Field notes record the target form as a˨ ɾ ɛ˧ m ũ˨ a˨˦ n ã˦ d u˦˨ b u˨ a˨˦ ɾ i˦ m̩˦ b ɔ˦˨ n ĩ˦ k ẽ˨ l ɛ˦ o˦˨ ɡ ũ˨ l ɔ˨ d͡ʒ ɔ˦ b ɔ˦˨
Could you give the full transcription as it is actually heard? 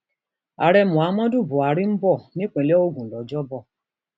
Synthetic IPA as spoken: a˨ ɾ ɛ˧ m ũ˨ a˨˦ m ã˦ d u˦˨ b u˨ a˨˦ ɾ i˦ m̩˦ b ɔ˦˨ n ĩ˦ k͡p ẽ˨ l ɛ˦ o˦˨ ɡ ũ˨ l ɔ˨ d͡ʒ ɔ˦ b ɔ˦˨